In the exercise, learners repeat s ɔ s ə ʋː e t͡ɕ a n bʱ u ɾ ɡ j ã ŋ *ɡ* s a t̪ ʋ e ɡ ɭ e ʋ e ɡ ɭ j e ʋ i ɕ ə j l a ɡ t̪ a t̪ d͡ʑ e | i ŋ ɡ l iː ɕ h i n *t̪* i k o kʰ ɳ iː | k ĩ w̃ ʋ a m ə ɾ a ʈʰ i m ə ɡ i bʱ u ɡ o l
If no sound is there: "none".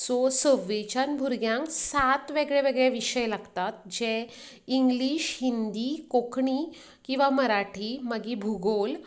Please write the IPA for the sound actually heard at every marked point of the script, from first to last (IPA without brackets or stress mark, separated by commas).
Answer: k, d̪